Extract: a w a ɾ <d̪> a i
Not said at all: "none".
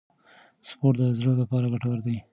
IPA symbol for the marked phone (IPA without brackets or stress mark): d̪